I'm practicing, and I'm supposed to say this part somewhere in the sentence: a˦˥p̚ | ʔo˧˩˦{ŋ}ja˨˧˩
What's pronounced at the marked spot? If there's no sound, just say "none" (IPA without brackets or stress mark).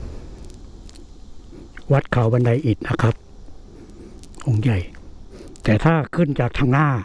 ŋ